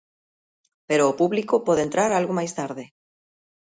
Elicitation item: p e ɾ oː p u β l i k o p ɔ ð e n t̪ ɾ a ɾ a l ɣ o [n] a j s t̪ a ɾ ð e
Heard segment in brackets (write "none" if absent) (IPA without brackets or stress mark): m